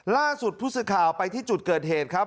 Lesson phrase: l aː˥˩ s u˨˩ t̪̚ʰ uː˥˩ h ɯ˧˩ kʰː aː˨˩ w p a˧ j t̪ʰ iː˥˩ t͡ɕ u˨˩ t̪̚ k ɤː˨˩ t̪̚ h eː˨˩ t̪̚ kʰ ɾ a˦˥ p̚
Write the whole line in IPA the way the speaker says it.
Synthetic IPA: l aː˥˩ s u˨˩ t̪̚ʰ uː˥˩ s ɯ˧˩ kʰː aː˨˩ w p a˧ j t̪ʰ iː˥˩ t͡ɕ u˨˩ t̪̚ k ɤː˨˩ t̪̚ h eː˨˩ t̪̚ kʰ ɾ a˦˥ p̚